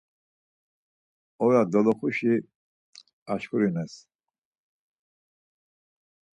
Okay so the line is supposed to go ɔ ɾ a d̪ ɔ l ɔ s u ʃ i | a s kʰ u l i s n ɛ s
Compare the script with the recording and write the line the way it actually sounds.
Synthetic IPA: ɔ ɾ a d̪ ɔ l ɔ χ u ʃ i | a ʃ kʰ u ɾ i n ɛ s